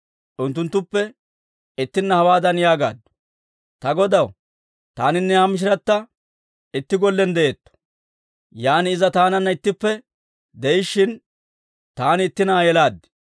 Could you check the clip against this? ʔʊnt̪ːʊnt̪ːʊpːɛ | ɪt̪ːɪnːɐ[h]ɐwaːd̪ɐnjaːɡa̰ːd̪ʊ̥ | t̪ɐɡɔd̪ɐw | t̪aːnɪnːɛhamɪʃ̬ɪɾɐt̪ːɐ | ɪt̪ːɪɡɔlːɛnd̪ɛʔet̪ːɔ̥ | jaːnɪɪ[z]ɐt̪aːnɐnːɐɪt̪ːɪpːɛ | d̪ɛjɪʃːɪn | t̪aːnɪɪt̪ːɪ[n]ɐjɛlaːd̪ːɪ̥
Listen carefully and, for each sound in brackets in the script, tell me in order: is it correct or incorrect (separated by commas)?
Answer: correct, correct, correct